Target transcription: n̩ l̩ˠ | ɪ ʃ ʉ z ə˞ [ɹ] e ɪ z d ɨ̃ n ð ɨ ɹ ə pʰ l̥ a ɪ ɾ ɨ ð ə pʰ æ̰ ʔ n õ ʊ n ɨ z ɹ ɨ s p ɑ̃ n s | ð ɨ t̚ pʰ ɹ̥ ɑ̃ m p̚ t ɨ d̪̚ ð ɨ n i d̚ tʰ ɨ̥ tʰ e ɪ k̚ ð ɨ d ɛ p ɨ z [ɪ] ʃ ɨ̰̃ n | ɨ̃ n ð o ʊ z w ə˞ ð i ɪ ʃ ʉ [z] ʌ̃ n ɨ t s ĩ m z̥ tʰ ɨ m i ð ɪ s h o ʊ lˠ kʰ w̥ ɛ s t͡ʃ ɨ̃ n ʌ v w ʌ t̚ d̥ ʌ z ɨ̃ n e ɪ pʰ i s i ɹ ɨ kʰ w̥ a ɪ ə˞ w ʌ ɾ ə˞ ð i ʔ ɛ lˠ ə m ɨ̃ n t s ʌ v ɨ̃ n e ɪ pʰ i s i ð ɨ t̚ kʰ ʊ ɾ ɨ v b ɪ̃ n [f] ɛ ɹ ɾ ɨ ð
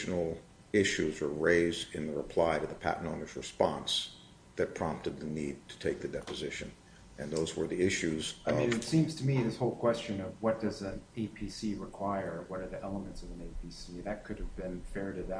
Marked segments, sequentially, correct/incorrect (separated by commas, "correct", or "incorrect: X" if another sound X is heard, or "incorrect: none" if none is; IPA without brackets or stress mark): correct, correct, correct, correct